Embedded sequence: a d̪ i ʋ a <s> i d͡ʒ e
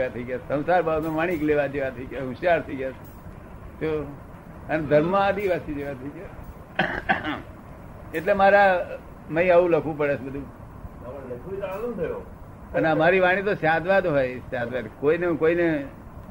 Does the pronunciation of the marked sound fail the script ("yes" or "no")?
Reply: no